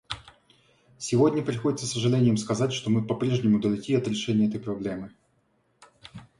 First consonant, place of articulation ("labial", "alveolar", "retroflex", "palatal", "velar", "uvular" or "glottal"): alveolar